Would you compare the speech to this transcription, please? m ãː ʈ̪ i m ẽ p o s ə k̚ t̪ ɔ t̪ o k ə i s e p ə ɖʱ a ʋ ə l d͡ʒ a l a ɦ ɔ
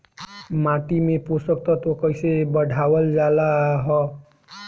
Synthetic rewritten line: m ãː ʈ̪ i m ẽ p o s ə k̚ t̪ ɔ t̪ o k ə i s e b ə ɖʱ a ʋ ə l d͡ʒ a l a ɦ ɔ